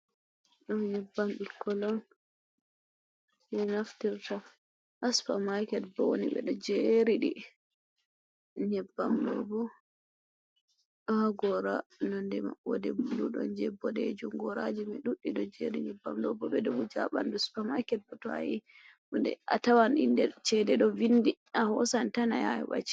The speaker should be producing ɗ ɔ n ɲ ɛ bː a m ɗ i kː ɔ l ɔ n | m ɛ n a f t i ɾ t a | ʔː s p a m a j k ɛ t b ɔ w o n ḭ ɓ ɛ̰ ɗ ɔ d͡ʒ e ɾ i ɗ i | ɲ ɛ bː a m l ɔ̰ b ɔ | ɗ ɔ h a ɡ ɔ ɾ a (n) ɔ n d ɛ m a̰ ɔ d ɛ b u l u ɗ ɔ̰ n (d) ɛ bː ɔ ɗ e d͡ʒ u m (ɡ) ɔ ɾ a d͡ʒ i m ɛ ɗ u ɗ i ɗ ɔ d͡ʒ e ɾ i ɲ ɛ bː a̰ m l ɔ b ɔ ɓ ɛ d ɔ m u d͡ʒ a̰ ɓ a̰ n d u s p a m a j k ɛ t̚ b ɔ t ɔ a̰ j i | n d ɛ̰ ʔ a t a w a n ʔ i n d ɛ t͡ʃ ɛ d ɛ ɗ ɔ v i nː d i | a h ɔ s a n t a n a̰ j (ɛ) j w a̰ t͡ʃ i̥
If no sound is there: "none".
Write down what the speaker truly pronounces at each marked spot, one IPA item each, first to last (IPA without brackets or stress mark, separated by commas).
n, d͡ʒ, ɡ, a